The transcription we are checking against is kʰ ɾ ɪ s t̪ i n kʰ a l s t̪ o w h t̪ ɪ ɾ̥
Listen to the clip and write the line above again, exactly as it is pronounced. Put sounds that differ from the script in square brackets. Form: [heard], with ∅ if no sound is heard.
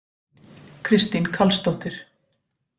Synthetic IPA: kʰ ɾ ɪ s t̪ i n kʰ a l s t̪ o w h t̪ ɪ ɾ̥

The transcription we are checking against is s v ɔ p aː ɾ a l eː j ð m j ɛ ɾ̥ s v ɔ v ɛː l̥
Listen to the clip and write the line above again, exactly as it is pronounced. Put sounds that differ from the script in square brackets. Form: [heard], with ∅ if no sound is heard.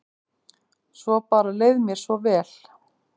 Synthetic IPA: s v ɔ p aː ɾ a l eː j ð m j ɛ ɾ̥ s v ɔ v ɛː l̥

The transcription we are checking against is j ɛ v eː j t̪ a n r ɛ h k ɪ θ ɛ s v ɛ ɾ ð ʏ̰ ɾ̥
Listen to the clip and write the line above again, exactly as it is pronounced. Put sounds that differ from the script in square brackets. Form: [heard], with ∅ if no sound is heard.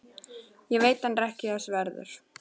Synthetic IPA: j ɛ v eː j t̪ a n r ɛ h [c] ɪ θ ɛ s v ɛ ɾ ð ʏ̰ ɾ̥

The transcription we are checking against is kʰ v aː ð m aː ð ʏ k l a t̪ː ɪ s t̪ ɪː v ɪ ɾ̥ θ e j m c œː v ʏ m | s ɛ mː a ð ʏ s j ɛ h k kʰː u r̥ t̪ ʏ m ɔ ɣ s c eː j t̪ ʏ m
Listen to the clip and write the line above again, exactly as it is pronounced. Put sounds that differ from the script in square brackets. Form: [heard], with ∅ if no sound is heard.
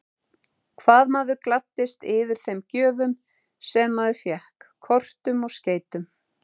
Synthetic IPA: kʰ v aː ð m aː ð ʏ k l a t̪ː ɪ s t̪ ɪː v ɪ ɾ̥ θ e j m c œː v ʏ m | s ɛ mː a ð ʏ [f] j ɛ h k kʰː [ɔ] r̥ t̪ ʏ m ɔ ɣ s c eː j t̪ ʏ m

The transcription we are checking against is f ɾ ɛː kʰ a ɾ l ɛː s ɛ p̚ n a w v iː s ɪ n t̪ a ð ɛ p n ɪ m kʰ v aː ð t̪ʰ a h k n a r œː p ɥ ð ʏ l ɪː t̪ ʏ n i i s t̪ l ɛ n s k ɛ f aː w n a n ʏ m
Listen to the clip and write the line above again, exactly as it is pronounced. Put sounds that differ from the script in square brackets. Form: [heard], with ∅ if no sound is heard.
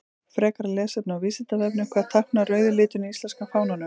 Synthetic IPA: f ɾ ɛː [k] a ɾ l ɛː s ɛ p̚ n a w v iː s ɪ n t̪ a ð ɛ p n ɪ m kʰ v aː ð t̪ʰ a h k n a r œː [∅] ɥ ð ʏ l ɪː t̪ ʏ n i i s t̪ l ɛ n s k [a] f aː w n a n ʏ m

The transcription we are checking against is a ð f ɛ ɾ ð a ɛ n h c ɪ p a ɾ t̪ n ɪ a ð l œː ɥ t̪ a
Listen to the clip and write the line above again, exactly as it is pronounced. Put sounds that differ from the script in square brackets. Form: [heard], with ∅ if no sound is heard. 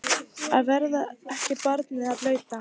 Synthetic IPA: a ð [v] ɛ ɾ ð a ɛ [∅] h c ɪ p a ɾ t̪ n ɪ a ð l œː ɥ t̪ a

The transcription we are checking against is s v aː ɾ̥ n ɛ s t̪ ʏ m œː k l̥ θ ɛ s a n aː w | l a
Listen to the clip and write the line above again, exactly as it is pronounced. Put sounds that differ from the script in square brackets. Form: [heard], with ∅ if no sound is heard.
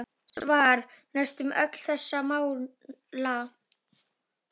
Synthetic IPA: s v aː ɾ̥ n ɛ s t̪ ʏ m [œ] k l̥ θ ɛ [sː] a [m] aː w | l a

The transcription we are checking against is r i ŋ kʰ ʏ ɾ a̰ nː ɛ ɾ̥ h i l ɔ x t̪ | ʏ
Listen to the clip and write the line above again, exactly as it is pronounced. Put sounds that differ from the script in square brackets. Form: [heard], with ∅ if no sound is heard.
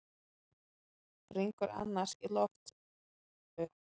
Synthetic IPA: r i ŋ [k] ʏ ɾ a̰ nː [a] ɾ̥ [s] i l ɔ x t̪ | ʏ

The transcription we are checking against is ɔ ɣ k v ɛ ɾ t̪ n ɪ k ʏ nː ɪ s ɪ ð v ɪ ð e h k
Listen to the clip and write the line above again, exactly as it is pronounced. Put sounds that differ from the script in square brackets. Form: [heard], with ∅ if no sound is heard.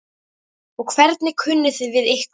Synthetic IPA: ɔ ɣ [kʰ] v ɛ ɾ t̪ n ɪ [kʰ] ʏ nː ɪ [θ] ɪ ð v ɪ ð e h k

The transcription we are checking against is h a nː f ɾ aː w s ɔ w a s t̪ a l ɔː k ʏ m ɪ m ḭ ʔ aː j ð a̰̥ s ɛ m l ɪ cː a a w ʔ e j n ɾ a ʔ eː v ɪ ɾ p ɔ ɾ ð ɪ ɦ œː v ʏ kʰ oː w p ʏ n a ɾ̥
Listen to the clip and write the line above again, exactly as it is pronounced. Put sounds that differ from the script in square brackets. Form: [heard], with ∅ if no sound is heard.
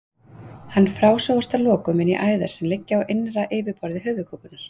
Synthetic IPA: h a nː f ɾ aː w s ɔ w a s t̪ a l ɔː k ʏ m ɪ [n] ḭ ʔ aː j ð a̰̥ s ɛ m l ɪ cː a a w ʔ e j n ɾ a ʔ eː v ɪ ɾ p ɔ ɾ ð ɪ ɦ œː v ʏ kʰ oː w p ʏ n a ɾ̥

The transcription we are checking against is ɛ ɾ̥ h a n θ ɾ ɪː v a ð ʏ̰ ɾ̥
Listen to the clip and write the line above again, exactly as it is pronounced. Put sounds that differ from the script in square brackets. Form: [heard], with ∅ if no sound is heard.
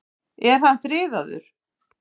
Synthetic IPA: ɛ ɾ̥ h a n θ ɾ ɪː [ð] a ð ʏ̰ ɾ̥

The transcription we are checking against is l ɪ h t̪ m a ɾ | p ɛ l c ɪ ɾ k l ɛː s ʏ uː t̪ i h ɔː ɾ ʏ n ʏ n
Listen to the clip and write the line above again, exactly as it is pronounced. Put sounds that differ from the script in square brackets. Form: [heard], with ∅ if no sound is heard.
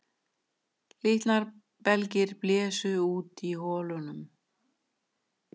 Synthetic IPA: l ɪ h t̪ [n] a ɾ | p ɛ l c ɪ ɾ [p] l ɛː s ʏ uː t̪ i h ɔː [l] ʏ n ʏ [m]

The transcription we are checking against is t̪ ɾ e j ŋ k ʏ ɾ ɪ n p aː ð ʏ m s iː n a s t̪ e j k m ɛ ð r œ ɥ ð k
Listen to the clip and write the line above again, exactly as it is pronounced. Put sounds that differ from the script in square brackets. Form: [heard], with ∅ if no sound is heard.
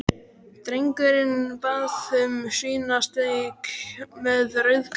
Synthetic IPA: t̪ ɾ e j ŋ k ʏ ɾ ɪ n p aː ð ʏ m s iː n a s t̪ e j k m ɛ ð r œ ɥ ð k

